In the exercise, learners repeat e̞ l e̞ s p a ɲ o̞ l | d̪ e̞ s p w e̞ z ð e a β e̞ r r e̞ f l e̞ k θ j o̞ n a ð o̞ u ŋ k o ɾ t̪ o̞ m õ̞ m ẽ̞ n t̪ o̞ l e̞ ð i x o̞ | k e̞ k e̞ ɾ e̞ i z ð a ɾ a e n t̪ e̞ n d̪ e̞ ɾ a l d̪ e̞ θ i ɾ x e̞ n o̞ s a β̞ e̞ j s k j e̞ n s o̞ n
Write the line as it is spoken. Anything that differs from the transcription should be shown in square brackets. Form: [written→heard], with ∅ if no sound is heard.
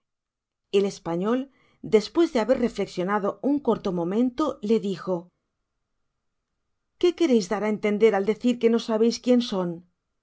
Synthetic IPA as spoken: e̞ l e̞ s p a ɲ o̞ l | d̪ e̞ s p w e̞ z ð e a β e̞ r r e̞ f l e̞ k [θ→s] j o̞ n a ð o̞ u ŋ k o ɾ t̪ o̞ m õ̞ m ẽ̞ n t̪ o̞ l e̞ ð i x o̞ | k e̞ k e̞ ɾ e̞ [i→j] z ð a ɾ a e n t̪ e̞ n d̪ e̞ ɾ a l d̪ e̞ θ i ɾ [x→k] e̞ n o̞ s a β̞ e̞ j s k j e̞ n s o̞ n